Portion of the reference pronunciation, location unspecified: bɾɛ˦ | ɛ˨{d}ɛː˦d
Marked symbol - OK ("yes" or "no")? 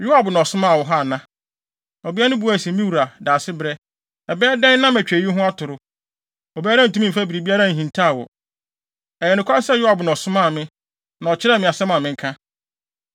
no